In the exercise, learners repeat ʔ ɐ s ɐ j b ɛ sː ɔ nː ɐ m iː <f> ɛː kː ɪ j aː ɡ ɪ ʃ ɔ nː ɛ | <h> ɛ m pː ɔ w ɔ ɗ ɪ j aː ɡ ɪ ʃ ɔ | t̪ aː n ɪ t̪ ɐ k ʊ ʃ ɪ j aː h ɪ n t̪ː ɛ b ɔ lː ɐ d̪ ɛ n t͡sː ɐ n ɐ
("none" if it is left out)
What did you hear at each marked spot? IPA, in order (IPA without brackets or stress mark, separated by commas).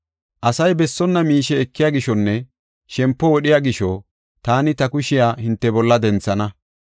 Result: ʃ, ʃ